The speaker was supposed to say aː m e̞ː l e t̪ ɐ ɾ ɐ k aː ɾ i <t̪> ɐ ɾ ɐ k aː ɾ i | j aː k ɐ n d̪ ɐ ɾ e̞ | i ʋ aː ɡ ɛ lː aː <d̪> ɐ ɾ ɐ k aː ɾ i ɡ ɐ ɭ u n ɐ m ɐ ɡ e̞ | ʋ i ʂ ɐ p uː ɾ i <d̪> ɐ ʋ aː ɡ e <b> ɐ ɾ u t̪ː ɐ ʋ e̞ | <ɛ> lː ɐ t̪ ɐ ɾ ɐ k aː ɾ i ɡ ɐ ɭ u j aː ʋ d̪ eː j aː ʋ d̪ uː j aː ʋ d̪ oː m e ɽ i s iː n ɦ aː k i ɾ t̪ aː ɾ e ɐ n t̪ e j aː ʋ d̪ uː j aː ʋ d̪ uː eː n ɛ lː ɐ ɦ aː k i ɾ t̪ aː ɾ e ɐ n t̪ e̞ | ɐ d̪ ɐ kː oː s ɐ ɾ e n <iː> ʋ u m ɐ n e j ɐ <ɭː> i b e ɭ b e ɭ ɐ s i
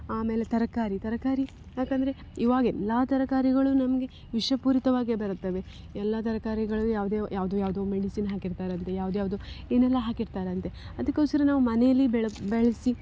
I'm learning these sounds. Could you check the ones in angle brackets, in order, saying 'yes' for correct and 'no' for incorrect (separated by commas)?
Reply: yes, no, no, yes, yes, no, no